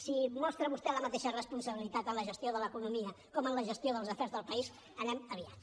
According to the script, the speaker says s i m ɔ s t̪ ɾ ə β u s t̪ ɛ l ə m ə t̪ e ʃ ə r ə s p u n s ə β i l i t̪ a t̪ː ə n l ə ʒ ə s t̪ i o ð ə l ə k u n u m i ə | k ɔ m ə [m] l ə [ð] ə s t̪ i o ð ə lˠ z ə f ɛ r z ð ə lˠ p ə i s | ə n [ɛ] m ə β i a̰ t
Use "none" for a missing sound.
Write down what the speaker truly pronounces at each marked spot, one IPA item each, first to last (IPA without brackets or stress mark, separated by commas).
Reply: n, ʒ, ɛ